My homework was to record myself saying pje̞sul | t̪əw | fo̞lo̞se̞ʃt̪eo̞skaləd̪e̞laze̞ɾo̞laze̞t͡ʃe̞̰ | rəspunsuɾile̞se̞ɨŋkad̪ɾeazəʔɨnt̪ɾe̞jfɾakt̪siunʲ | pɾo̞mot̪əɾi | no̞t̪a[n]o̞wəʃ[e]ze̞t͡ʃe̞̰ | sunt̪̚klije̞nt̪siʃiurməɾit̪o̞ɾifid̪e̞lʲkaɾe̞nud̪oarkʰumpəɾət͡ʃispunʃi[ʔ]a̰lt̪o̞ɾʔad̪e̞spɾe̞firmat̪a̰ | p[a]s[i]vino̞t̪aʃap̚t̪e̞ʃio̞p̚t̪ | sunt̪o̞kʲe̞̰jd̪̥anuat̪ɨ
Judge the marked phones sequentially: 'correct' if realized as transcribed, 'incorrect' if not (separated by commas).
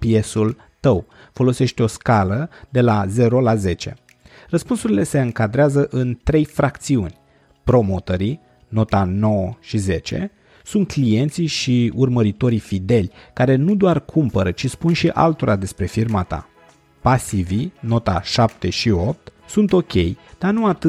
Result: correct, incorrect, correct, correct, correct